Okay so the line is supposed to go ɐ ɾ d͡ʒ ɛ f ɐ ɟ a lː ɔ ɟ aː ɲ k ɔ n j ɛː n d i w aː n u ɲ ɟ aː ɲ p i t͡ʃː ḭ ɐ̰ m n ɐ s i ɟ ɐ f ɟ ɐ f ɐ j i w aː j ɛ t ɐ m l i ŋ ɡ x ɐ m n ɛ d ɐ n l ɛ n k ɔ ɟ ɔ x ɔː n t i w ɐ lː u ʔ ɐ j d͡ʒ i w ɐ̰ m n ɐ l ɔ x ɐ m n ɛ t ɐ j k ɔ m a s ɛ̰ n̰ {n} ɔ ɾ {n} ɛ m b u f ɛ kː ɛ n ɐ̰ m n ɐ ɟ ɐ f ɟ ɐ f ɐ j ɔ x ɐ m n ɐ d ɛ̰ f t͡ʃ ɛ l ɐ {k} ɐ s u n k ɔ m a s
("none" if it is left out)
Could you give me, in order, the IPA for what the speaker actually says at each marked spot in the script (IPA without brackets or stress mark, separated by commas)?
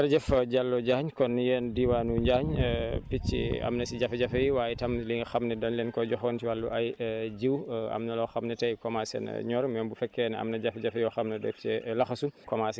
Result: ɲ, m, x